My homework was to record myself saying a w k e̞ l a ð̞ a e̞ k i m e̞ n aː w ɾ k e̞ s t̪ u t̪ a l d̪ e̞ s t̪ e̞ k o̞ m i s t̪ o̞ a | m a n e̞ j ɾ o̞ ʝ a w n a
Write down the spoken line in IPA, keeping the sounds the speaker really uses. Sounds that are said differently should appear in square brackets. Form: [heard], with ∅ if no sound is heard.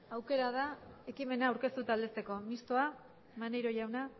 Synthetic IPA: a w k e̞ [ɾ] a ð̞ a e̞ k i m e̞ n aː w ɾ k e̞ s t̪ u t̪ a l d̪ e̞ s t̪ e̞ k o̞ m i s t̪ o̞ a | m a n e̞ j ɾ o̞ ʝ a w n a